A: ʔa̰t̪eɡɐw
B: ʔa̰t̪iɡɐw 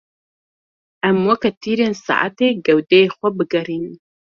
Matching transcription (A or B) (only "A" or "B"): A